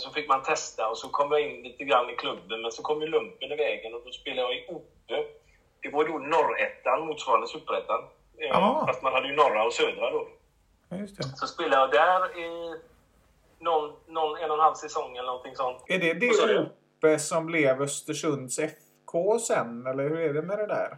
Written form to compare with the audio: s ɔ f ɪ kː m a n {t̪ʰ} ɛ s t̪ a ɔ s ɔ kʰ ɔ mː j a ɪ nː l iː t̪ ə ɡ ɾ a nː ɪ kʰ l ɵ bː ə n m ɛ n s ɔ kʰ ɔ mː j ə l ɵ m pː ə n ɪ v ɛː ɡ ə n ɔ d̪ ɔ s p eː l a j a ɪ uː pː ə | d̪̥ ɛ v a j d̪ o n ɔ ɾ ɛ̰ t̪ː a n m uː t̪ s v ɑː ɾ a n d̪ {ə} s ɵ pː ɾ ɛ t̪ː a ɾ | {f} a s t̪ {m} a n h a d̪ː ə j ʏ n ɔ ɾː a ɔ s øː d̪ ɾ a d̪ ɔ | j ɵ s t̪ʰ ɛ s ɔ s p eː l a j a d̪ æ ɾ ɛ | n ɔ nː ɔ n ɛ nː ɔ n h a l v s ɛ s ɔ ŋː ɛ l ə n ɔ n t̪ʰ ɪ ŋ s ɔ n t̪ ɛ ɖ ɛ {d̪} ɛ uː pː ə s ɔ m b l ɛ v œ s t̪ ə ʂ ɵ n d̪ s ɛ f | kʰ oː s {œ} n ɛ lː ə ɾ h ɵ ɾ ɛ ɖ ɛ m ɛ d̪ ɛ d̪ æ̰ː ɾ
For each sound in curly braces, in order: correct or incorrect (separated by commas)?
correct, correct, correct, correct, correct, incorrect